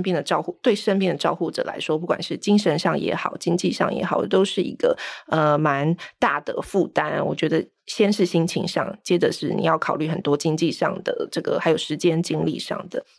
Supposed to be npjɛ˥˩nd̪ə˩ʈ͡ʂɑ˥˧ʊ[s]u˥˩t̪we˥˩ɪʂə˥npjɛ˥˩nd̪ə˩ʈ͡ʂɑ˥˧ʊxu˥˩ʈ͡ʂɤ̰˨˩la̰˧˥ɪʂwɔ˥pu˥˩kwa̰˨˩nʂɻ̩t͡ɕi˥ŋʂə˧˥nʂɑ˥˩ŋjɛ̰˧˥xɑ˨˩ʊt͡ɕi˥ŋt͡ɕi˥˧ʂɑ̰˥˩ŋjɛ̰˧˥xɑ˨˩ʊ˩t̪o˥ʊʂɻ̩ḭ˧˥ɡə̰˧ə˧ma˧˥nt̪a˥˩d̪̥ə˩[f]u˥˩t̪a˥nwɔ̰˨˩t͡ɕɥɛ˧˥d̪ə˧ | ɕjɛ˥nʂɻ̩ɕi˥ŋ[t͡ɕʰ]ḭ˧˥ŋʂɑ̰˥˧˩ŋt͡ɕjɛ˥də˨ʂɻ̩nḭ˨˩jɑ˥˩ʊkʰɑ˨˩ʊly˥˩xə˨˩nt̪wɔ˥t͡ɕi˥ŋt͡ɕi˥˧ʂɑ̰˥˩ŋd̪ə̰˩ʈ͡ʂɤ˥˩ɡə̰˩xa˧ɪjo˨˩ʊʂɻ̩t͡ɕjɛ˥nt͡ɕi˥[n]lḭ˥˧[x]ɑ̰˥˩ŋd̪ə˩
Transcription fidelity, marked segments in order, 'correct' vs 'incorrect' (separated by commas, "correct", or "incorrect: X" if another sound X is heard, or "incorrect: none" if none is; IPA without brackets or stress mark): incorrect: x, correct, correct, incorrect: ŋ, incorrect: ʂ